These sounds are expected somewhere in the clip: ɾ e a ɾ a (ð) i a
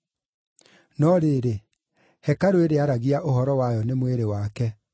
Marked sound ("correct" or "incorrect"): incorrect